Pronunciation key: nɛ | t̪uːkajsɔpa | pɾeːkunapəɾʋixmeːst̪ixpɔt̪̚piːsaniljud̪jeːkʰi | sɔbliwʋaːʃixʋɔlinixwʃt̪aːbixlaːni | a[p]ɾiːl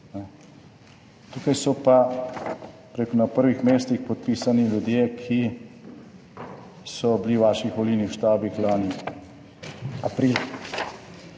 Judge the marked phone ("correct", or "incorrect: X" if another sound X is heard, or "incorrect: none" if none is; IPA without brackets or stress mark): correct